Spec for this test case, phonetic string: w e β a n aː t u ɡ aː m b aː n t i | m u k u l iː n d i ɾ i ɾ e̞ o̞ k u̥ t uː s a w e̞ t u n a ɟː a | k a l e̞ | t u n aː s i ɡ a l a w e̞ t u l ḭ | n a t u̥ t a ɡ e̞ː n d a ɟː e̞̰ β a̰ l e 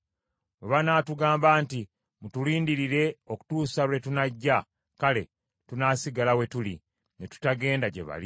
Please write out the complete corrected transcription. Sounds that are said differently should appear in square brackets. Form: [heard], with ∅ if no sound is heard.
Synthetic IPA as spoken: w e β a n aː t u ɡ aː m b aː n t i | m u [t] u l iː n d i ɾ i ɾ e̞ o̞ k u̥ t uː s a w e̞ t u n a ɟː a | k a l e̞ | t u n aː s i ɡ a l a w e̞ t u l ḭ | n [e] t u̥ t a ɡ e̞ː n d a [ɟ] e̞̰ β a̰ l [i]